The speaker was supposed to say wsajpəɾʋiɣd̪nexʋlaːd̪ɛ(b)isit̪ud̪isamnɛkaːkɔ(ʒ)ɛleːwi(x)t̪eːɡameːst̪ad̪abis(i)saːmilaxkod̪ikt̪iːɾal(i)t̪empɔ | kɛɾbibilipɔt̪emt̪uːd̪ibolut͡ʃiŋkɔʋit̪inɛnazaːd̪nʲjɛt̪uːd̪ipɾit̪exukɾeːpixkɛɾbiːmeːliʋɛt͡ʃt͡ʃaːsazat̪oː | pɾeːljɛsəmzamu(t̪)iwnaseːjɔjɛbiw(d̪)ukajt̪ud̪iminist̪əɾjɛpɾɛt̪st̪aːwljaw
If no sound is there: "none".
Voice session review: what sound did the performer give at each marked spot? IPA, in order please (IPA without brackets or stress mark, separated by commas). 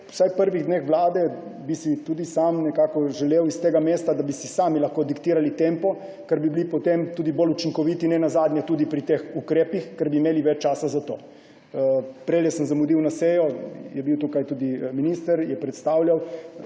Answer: b, ʒ, s, i, i, d̪, t̪